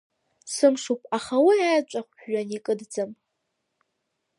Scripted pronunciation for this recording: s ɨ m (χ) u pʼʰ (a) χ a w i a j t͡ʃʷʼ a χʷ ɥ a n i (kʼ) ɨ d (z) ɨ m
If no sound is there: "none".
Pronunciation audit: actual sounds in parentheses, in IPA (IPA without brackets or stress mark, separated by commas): ʂ, a, kʼ, d͡z